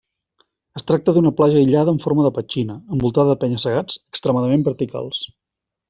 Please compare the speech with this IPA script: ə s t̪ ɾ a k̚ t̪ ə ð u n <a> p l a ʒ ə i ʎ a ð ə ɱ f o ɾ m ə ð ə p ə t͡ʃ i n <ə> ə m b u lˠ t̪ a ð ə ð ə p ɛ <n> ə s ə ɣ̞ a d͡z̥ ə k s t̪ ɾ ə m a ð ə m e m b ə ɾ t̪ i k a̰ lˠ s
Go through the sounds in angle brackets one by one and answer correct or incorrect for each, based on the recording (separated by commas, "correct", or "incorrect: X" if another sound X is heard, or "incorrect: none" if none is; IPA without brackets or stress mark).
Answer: incorrect: ə, correct, incorrect: ɲ